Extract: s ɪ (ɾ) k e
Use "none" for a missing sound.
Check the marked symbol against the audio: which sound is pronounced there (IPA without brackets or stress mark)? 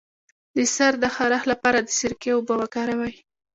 ɾ